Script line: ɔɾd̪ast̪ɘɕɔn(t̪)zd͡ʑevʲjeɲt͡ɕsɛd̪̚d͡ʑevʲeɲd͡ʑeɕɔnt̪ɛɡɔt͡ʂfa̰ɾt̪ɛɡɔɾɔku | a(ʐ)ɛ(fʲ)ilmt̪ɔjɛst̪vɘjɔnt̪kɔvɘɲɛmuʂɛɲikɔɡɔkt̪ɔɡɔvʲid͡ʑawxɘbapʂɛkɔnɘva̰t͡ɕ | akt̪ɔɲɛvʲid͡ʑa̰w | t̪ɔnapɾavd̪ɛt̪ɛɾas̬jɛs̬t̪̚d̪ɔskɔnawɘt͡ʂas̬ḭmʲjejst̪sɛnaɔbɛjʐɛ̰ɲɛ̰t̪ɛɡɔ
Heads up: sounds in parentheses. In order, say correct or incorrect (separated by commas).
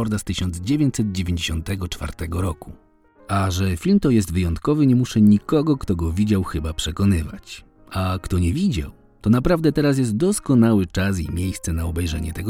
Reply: incorrect, correct, correct